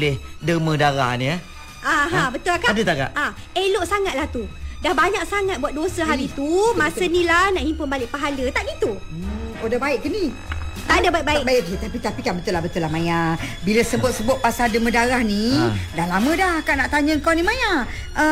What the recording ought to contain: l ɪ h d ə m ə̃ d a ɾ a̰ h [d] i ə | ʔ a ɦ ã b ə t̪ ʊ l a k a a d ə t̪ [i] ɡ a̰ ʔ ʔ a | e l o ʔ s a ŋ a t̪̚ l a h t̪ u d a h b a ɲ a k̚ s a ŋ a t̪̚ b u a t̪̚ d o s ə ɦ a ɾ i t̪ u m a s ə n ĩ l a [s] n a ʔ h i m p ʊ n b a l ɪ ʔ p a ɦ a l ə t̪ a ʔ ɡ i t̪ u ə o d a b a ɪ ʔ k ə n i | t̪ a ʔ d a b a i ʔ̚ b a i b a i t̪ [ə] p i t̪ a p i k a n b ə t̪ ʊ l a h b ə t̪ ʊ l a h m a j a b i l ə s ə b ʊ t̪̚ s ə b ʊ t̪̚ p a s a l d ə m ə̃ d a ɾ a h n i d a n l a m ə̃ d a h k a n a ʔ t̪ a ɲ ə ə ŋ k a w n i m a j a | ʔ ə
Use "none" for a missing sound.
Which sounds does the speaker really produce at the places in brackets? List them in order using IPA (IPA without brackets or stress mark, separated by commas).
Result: n, a, h, a